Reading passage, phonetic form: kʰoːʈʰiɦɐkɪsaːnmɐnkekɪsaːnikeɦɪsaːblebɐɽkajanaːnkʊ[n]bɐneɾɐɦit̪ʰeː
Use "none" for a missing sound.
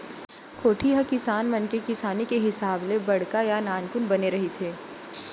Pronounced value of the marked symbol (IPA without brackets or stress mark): n